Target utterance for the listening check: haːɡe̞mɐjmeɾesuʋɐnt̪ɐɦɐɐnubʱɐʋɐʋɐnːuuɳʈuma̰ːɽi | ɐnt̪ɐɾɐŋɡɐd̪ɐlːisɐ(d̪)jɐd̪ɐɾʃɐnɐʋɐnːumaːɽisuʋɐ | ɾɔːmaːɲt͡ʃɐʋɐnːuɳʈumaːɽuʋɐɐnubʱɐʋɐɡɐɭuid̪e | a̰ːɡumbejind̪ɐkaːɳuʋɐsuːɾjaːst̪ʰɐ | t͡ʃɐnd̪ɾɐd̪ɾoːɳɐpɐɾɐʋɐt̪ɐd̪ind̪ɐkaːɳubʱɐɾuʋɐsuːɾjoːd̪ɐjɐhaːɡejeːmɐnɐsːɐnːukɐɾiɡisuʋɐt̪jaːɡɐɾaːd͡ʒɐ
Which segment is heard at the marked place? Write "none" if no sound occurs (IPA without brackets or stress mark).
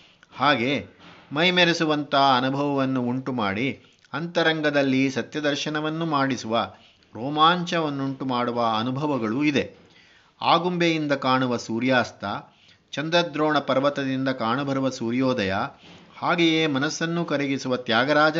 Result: t̪